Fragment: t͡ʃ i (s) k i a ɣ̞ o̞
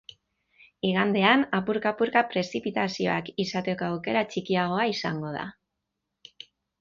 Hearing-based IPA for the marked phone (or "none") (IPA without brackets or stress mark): none